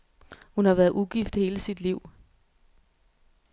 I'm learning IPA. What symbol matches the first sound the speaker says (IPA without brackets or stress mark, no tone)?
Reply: h